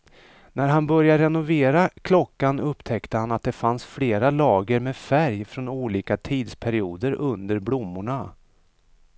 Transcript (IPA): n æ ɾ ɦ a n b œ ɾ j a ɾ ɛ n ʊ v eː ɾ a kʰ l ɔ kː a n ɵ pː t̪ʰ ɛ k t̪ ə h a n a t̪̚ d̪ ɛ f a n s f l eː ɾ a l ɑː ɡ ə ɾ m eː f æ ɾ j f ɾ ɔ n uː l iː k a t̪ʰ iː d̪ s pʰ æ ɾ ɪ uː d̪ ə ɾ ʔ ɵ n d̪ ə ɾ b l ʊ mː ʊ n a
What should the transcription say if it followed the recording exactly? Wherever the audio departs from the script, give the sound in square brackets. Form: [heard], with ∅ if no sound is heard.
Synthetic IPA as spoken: n æ ɾ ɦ a n b œ ɾ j a ɾ ɛ n ʊ v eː ɾ a kʰ l ɔ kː a n ɵ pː t̪ʰ ɛ k t̪ ə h a n a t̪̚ d̪ ɛ f a n s f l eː ɾ a l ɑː ɡ ə ɾ m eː f æ ɾ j f ɾ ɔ n uː l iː k a t̪ʰ iː d̪ s pʰ æ ɾ ɪ uː d̪ ə ɾ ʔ ɵ n d̪ ə ɾ b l ʊ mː ʊ [ɳ] a